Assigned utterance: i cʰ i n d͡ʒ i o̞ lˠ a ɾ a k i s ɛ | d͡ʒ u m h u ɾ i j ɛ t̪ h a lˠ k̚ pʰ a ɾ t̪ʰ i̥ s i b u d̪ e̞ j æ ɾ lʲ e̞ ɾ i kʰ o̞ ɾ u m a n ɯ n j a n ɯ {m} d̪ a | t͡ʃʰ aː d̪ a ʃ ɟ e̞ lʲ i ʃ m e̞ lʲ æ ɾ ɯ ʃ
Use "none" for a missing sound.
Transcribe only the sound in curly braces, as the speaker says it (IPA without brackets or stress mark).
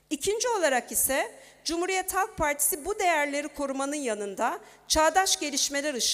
n